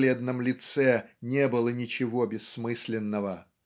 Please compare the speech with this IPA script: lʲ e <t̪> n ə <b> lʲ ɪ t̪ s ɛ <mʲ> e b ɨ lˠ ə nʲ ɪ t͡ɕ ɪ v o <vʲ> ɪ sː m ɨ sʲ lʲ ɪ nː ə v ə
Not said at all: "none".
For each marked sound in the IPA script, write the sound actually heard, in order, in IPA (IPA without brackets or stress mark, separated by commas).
d̪, m, nʲ, bʲ